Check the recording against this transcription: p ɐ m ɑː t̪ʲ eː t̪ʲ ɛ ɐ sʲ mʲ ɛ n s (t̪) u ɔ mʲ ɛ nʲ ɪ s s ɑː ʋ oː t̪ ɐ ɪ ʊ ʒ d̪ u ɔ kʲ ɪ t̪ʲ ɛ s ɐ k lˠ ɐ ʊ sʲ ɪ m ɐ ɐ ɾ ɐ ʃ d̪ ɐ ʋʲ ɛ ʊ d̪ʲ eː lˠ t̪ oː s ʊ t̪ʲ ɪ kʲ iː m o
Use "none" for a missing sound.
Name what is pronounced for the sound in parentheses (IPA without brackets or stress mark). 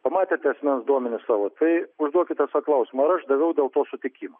d̪